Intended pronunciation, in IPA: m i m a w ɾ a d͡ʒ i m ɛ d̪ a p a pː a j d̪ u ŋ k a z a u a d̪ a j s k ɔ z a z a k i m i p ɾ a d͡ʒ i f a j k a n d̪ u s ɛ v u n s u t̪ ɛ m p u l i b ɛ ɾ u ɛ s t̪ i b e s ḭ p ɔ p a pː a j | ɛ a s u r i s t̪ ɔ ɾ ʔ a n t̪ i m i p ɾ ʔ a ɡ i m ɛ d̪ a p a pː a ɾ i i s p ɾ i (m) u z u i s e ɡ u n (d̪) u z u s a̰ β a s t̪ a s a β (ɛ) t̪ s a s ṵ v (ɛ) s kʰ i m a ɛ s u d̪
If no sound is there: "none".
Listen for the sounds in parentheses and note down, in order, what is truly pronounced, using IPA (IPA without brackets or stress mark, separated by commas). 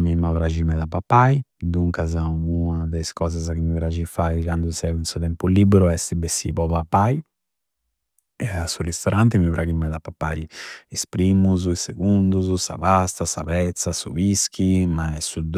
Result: m, d̪, ɛ, i